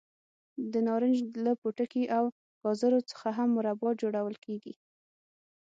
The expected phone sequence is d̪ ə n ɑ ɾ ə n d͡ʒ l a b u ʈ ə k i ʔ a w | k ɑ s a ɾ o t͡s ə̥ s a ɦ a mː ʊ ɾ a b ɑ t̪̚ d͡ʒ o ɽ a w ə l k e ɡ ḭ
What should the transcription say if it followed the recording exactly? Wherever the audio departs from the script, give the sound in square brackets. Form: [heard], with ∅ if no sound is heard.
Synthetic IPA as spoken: d̪ ə n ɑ ɾ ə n d͡ʒ l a [p] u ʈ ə k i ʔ a w | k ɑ [z] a ɾ o t͡s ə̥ [x] a ɦ a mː ʊ ɾ a b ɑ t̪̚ d͡ʒ o ɽ a w ə l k e ɡ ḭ